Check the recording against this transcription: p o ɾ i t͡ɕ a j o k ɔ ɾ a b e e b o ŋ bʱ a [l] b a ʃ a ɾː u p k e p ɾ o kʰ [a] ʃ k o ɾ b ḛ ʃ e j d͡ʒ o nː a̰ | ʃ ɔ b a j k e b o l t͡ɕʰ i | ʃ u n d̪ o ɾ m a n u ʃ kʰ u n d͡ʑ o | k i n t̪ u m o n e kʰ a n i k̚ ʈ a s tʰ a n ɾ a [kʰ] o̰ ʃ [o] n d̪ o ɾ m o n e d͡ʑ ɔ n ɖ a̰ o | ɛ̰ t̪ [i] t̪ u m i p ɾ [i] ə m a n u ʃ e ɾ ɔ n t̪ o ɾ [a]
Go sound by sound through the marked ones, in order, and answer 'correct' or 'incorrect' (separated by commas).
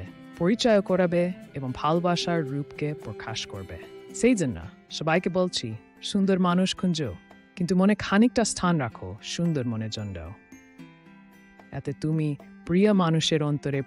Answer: correct, correct, correct, incorrect, incorrect, correct, incorrect